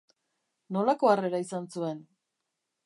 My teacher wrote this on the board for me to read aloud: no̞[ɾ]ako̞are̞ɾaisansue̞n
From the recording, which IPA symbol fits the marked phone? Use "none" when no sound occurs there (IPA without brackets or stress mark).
l